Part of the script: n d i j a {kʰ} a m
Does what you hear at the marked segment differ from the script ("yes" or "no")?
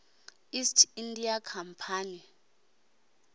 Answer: no